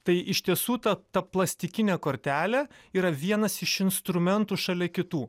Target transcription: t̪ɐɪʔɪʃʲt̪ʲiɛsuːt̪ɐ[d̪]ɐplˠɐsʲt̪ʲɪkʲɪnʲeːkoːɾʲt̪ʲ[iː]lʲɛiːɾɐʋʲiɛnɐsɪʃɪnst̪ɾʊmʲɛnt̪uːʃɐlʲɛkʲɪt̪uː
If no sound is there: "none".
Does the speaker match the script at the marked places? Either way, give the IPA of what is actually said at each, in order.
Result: t̪, æː

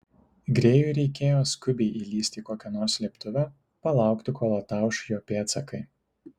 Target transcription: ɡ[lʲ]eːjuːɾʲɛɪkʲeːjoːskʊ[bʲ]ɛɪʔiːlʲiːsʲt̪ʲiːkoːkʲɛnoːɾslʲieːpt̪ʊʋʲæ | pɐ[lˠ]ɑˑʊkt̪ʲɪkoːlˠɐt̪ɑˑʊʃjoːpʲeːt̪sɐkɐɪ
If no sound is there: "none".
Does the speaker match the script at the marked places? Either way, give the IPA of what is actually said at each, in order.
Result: ɾʲ, bʲ, lˠ

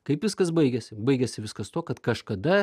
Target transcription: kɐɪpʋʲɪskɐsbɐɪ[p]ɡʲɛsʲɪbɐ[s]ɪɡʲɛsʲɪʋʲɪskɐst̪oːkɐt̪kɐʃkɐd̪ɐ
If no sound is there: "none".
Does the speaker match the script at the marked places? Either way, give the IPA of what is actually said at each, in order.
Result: none, none

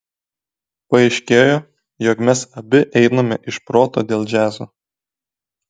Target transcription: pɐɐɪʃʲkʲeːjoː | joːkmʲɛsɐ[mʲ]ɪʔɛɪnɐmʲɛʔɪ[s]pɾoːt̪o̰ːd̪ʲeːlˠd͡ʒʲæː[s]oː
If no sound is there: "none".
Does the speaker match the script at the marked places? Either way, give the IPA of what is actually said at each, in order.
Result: bʲ, ʃ, z

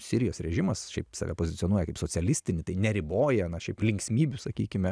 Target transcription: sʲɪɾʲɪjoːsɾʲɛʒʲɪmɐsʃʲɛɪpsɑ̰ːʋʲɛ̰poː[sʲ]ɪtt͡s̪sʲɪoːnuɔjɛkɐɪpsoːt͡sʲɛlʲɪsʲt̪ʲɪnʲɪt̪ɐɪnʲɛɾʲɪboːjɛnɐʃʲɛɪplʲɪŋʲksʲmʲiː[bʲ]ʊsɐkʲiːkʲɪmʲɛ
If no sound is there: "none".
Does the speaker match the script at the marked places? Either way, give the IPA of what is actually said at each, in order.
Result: zʲ, bʲ

